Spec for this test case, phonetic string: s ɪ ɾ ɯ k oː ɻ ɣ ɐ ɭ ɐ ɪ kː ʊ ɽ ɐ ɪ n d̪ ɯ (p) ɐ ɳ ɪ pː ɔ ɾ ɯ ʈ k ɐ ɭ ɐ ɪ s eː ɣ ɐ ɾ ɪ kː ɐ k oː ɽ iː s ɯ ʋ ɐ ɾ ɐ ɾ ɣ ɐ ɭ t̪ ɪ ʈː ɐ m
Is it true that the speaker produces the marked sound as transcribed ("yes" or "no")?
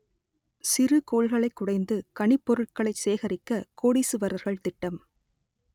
no